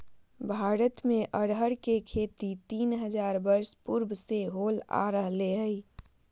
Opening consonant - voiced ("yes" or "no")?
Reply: yes